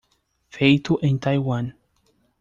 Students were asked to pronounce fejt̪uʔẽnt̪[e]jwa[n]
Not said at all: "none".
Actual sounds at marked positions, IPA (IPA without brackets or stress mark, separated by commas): a, n